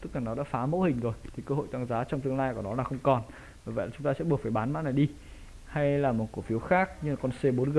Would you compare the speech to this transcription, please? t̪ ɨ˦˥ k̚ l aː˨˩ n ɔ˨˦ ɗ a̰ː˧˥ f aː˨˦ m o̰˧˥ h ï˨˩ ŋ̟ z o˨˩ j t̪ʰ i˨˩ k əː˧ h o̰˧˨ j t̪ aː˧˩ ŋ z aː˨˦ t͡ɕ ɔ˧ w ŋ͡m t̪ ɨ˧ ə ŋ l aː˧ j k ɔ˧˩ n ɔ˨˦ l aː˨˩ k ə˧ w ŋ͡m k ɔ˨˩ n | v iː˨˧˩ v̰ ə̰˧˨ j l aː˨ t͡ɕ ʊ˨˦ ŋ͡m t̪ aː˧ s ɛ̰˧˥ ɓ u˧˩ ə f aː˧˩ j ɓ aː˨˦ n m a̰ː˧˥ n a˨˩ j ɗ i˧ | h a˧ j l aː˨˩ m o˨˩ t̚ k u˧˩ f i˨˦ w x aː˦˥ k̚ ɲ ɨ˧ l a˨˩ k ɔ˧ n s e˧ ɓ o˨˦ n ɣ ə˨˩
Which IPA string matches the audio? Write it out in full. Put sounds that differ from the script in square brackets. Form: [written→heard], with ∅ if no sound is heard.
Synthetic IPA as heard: t̪ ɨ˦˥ k̚ l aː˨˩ n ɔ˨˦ ɗ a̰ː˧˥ f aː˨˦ m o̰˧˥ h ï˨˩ ŋ̟ z o˨˩ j t̪ʰ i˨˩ k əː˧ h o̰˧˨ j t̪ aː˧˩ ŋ z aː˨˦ t͡ɕ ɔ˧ w ŋ͡m t̪ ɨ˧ ə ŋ l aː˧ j k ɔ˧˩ n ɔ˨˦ l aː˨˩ [k→x] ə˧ w ŋ͡m k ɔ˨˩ n | v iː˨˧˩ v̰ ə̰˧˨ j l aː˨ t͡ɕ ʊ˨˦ ŋ͡m t̪ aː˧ s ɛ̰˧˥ ɓ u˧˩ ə f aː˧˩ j ɓ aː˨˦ n m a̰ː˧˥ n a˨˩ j ɗ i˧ | h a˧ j l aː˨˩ m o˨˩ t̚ k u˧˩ f i˨˦ w x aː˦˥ k̚ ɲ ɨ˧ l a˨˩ k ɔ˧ n s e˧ ɓ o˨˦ n ɣ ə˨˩